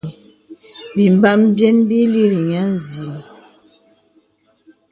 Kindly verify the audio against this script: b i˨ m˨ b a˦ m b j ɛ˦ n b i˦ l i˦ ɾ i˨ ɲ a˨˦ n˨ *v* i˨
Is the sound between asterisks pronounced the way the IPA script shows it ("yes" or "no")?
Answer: no